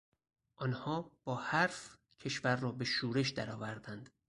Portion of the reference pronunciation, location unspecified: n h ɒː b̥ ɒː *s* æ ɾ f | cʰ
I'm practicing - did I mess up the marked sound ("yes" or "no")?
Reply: yes